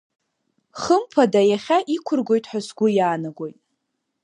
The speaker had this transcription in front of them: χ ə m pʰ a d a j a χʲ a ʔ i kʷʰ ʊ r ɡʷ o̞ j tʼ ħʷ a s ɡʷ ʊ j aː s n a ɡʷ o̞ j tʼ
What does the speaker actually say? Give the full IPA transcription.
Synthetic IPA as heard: χ ə m pʰ a d a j a χʲ a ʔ i kʷʰ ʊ r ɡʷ o̞ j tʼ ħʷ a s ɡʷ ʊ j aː n a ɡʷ o̞ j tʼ